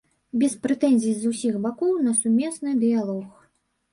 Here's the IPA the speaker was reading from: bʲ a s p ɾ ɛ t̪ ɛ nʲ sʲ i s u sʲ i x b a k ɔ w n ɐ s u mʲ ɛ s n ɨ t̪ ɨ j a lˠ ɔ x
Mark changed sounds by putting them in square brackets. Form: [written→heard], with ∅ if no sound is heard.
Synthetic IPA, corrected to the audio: bʲ [a→ɛ] s p ɾ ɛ t̪ ɛ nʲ [sʲ→zʲ] i [s→z] u sʲ i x b a k ɔ w n ɐ s u mʲ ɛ s n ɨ [t̪→d̪] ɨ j a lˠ ɔ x